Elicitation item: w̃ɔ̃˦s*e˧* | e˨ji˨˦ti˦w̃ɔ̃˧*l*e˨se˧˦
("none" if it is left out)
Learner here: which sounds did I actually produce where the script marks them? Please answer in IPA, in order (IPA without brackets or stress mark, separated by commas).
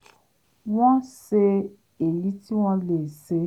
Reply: e˧, l